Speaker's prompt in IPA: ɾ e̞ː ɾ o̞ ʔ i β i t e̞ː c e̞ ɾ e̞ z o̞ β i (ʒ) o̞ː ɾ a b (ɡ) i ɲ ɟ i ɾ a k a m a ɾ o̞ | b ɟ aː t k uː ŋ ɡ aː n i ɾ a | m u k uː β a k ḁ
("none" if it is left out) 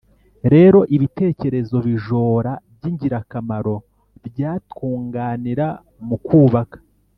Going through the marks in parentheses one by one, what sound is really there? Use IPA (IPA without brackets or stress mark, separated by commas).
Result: ʒ, ɟ